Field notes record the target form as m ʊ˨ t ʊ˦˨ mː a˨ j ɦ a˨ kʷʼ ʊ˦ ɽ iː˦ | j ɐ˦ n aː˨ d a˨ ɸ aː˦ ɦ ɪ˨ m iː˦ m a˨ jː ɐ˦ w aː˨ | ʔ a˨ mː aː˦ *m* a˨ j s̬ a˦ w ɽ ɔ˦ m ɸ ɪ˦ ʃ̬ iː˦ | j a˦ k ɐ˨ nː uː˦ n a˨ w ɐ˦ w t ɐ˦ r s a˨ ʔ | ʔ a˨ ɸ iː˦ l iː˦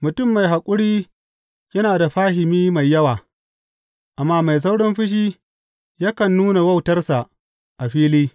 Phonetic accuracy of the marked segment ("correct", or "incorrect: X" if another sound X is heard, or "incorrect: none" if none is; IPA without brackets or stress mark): correct